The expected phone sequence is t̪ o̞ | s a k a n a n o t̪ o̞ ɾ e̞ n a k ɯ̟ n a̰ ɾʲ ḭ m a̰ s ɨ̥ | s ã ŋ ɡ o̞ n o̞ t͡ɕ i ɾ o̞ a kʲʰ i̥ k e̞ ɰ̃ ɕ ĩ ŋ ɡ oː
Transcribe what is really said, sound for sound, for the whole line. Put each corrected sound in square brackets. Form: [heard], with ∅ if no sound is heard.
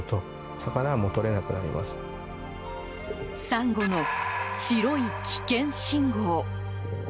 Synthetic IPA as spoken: t̪ o̞ | s a k a n a [m] o t̪ o̞ ɾ e̞ n a k ɯ̟ n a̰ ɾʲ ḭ m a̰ s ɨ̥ | s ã ŋ ɡ o̞ n o̞ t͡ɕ i ɾ o̞ [i] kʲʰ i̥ k [ẽ̞] ɰ̃ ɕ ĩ ŋ ɡ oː